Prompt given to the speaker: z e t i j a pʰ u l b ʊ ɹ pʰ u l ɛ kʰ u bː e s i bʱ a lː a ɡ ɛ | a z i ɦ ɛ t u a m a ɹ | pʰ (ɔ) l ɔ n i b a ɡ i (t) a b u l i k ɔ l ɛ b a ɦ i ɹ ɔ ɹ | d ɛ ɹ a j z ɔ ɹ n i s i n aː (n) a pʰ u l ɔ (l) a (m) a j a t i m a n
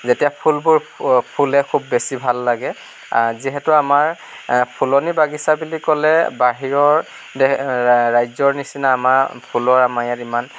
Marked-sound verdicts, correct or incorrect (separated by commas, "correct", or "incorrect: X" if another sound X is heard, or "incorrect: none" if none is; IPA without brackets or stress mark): incorrect: u, incorrect: s, incorrect: m, incorrect: ɹ, correct